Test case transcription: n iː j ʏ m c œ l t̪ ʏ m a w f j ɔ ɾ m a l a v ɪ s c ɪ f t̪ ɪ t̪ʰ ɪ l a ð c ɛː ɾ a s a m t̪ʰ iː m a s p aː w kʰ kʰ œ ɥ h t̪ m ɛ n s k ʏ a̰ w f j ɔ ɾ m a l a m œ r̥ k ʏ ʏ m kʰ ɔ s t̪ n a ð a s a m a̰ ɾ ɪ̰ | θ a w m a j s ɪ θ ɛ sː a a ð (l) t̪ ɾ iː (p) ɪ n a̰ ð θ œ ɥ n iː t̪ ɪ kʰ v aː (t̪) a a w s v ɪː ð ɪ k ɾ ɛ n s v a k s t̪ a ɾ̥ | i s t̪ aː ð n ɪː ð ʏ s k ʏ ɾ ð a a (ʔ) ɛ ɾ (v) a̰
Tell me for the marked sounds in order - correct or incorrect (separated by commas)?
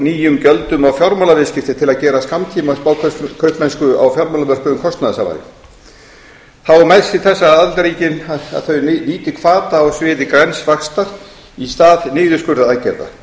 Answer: correct, incorrect, correct, incorrect, incorrect